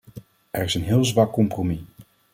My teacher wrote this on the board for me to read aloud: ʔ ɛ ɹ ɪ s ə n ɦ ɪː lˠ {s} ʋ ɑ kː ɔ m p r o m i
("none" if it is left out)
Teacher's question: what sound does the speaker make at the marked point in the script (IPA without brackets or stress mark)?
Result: z